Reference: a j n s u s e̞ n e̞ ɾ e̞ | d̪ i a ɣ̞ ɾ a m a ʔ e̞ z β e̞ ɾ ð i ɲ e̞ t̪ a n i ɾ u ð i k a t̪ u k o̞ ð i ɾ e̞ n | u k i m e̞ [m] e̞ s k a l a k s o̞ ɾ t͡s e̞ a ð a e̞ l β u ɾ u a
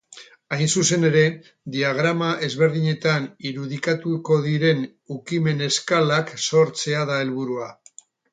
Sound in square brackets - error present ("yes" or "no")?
yes